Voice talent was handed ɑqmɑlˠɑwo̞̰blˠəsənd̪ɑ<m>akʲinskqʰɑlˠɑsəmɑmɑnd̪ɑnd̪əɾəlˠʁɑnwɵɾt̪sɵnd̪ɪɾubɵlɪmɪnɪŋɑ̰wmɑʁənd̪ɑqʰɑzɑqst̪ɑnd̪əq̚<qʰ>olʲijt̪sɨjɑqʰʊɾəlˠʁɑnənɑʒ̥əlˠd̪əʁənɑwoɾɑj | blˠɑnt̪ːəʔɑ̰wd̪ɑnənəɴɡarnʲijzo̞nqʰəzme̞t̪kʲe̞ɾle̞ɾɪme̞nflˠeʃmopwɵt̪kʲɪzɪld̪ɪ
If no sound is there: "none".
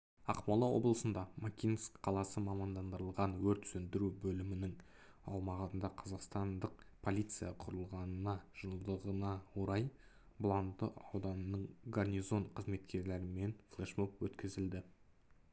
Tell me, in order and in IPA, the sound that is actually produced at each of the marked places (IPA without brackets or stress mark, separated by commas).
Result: m, pʰ